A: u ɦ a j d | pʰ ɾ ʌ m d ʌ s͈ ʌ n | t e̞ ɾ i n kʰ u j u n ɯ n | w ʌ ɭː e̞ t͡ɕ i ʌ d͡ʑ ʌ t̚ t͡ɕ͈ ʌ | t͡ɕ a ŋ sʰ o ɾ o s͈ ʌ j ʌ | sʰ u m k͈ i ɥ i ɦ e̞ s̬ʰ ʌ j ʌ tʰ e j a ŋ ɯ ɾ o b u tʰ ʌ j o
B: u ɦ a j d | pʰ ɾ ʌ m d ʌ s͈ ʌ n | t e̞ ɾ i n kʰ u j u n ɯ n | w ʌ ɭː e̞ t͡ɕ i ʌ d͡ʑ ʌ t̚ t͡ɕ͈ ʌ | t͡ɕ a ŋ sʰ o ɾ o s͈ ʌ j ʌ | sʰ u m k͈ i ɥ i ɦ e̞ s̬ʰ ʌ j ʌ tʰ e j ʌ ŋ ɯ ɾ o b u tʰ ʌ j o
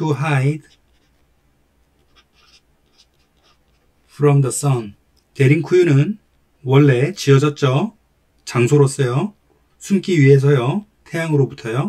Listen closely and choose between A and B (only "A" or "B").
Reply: A